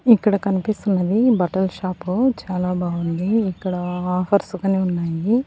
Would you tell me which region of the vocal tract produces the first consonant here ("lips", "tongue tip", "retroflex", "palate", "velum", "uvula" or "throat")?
velum